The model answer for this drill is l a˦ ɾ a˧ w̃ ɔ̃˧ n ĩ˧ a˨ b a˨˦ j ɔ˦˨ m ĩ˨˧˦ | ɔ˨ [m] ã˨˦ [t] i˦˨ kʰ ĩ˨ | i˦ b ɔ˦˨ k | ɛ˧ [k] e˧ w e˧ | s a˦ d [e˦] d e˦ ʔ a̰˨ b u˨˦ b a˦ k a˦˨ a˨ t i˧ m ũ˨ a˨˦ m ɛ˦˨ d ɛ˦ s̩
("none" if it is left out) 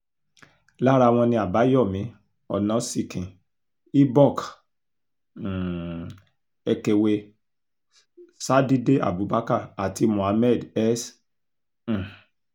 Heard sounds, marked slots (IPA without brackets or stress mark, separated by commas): n, s, k, i˦